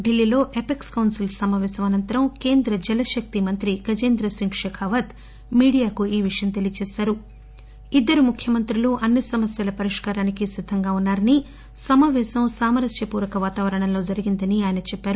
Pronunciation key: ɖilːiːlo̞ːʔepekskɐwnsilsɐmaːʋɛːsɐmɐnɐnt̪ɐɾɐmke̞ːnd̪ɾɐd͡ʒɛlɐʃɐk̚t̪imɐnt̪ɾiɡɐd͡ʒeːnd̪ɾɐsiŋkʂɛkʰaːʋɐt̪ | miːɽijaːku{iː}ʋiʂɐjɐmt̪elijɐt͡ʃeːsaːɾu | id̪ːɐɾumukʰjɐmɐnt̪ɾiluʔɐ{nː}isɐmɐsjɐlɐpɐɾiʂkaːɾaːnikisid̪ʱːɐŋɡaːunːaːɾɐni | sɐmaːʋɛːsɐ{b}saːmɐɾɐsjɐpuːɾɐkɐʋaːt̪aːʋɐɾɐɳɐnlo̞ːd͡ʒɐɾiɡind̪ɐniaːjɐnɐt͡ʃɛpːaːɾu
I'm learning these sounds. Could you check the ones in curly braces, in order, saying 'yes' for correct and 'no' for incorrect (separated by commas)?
yes, yes, no